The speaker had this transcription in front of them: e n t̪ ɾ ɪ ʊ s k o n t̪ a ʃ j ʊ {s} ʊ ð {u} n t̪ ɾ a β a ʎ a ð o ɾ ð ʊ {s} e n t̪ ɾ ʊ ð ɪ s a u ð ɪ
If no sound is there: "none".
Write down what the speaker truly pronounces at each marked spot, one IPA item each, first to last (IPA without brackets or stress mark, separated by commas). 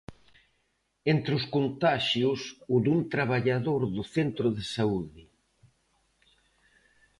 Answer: s, u, θ